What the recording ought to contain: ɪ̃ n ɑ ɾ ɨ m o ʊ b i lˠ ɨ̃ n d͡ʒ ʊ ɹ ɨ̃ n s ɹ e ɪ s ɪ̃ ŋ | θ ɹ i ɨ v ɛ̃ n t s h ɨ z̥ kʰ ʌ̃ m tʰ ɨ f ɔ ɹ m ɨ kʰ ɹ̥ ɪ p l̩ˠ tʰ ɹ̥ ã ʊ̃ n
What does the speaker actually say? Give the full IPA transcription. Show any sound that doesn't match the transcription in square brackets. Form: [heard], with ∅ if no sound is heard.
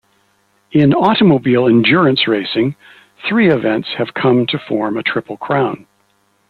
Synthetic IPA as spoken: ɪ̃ n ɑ ɾ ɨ m o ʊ b i lˠ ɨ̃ n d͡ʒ ʊ ɹ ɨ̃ n s ɹ e ɪ s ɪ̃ ŋ | θ ɹ i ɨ v ɛ̃ n t s h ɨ [v̥] kʰ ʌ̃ m tʰ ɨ f ɔ ɹ m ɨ [tʰ] ɹ̥ ɪ p l̩ˠ [kʰ] ɹ̥ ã ʊ̃ n

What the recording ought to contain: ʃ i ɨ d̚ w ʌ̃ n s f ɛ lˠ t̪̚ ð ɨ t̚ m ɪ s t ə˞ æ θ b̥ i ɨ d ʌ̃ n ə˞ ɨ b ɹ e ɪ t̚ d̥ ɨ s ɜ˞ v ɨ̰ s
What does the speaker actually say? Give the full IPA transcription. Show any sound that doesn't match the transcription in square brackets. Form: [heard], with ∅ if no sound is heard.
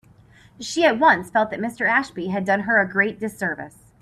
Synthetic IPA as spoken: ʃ i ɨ [t̚] w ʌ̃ n s f ɛ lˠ t̪̚ ð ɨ t̚ m ɪ s t ə˞ æ [ʃ] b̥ i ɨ d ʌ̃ n ə˞ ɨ [ɡ] ɹ e ɪ t̚ d̥ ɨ s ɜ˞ v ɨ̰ s

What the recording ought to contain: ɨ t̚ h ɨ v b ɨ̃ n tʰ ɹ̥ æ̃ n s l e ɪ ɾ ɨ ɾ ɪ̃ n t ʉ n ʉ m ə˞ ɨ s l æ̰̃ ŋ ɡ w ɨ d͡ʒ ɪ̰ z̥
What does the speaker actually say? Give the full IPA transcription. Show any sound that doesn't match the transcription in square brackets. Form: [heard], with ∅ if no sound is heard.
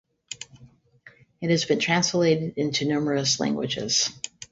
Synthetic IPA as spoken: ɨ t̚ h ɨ [z] b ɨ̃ n tʰ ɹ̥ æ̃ n s l e ɪ ɾ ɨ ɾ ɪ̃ n t ʉ n ʉ m ə˞ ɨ s l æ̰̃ ŋ ɡ w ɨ d͡ʒ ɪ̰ z̥

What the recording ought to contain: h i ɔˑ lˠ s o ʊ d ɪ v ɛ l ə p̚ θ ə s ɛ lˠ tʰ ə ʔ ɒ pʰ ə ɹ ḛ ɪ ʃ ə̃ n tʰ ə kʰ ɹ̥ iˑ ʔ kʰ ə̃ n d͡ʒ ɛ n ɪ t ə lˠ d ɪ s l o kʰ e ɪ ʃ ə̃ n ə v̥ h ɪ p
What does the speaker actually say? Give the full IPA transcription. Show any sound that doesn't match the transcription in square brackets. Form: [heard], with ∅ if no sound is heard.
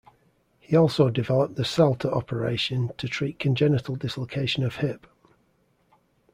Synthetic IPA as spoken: h i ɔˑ lˠ s o ʊ d ɪ v ɛ l ə p̚ [ð] ə s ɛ lˠ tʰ ə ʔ ɒ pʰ ə ɹ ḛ ɪ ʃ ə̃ n tʰ ə [tʰ] ɹ̥ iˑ ʔ kʰ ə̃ n d͡ʒ ɛ n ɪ t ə lˠ d ɪ s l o kʰ e ɪ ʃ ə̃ n ə v̥ h ɪ p

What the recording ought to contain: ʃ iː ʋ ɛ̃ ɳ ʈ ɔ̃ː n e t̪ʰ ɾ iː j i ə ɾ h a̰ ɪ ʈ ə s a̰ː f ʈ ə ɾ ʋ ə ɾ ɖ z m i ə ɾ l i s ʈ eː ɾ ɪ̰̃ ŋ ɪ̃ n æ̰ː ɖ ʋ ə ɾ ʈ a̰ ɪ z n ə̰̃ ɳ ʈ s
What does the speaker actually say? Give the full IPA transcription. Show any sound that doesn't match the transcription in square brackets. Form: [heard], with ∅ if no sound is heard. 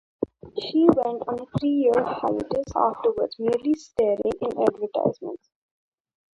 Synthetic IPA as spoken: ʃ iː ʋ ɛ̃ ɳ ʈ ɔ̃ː n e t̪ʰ ɾ iː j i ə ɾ h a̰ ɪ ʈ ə s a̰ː f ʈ ə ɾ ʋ ə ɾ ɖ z m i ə ɾ l i s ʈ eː ɾ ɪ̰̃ ŋ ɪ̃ n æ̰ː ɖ ʋ ə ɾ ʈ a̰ ɪ z [m] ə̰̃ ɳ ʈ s

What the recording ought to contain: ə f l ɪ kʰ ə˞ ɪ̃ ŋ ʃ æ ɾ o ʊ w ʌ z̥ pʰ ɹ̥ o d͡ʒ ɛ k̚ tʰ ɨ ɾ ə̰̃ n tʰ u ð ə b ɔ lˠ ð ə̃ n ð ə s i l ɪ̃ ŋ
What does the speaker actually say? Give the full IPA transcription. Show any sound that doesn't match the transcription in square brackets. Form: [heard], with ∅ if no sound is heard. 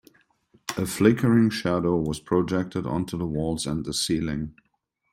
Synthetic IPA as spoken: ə f l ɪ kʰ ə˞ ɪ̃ ŋ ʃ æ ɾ o ʊ w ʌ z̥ pʰ ɹ̥ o d͡ʒ ɛ k̚ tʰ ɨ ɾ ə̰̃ n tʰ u ð ə [w] ɔ lˠ [z] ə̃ n ð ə s i l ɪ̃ ŋ

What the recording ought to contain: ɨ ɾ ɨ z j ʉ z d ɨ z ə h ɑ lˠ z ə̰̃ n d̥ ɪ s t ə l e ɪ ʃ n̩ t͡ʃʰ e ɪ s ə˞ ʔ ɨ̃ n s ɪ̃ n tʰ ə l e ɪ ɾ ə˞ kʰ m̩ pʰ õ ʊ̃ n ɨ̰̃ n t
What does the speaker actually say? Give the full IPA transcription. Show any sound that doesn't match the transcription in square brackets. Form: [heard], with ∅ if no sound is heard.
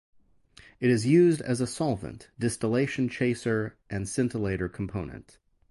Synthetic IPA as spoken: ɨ ɾ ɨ z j ʉ z d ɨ z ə [s] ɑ lˠ [v] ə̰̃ n d̥ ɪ s t ə l e ɪ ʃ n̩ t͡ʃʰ e ɪ s ə˞ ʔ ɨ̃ n s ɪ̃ n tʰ ə l e ɪ ɾ ə˞ kʰ m̩ pʰ õ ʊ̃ n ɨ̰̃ n t

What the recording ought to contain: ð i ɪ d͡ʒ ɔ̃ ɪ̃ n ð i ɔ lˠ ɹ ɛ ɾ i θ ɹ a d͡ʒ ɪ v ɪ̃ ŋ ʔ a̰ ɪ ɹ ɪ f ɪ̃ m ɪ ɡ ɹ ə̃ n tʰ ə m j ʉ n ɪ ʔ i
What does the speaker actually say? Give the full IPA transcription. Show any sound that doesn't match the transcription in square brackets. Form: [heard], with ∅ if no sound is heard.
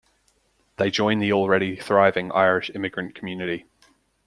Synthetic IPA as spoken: ð [e] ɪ d͡ʒ ɔ̃ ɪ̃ n ð i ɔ lˠ ɹ ɛ ɾ i θ ɹ a [∅] ɪ v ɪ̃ ŋ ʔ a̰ ɪ ɹ ɪ [ʃ] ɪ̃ m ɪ ɡ ɹ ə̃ n [kʰ] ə m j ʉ n ɪ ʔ i

